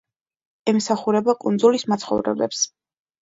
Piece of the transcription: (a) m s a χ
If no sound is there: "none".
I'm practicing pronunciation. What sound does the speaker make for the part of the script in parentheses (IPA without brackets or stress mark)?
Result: ɛ